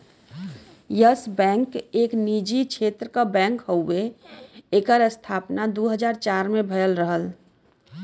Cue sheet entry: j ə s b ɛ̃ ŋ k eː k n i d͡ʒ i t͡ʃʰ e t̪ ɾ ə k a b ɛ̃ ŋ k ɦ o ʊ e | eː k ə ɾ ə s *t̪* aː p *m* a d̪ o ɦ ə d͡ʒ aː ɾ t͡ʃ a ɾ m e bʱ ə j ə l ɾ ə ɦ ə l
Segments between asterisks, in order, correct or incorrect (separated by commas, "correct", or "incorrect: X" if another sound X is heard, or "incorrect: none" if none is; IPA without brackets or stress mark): incorrect: t̪ʰ, incorrect: n